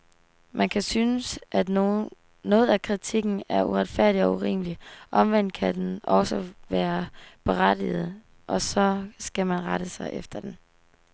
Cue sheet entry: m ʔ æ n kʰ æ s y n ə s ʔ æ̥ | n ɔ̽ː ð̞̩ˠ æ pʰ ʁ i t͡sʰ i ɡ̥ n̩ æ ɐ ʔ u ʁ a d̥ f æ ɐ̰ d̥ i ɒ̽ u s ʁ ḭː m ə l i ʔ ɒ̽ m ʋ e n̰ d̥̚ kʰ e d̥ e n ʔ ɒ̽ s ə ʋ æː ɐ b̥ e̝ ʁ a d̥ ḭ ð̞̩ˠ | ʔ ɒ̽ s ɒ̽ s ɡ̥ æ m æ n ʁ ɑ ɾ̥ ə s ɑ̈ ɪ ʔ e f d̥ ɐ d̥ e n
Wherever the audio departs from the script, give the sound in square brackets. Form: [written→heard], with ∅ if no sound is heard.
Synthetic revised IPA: m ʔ æ n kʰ æ s y n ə s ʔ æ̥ | n ɔ̽ː ð̞̩ˠ æ [pʰ→kʰ] ʁ i t͡sʰ i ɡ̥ n̩ æ ɐ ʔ u ʁ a d̥ f æ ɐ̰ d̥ i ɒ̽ u [s→∅] ʁ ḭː m ə l i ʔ ɒ̽ m ʋ e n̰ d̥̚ kʰ [e→æ] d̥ e n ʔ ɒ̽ s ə ʋ æː ɐ b̥ e̝ ʁ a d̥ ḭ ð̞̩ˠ | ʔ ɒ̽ s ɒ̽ s ɡ̥ æ m æ n ʁ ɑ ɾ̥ ə s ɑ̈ ɪ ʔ e f d̥ ɐ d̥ e n